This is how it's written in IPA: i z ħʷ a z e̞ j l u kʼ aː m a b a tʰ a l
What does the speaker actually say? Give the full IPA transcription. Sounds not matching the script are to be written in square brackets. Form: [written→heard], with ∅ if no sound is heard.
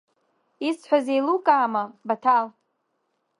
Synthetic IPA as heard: i [z→s] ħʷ a z e̞ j l u kʼ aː m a b a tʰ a l